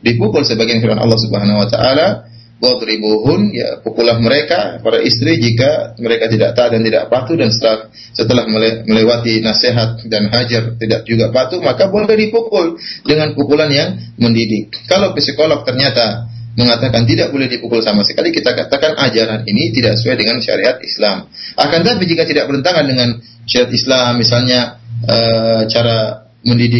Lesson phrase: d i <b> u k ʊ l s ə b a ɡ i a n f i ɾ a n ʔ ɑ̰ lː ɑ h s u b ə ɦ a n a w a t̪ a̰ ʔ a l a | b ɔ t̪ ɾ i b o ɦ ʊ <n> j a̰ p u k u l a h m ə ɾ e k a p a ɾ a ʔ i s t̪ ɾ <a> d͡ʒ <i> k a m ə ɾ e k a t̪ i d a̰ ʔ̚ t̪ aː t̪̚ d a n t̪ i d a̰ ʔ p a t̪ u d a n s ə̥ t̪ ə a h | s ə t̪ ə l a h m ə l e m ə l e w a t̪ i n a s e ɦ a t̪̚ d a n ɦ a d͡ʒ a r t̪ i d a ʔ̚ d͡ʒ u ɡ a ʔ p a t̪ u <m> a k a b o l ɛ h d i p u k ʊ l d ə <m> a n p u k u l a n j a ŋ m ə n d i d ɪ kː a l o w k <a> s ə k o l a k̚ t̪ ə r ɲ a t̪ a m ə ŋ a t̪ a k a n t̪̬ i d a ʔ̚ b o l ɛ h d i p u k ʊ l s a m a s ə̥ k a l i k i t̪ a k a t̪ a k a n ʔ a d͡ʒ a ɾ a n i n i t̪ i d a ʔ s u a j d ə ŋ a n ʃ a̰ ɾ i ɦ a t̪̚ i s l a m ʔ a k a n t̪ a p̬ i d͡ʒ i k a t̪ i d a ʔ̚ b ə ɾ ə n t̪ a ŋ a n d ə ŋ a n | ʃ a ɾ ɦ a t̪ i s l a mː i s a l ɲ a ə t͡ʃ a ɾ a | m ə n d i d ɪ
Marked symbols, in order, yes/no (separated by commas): no, yes, no, yes, yes, no, no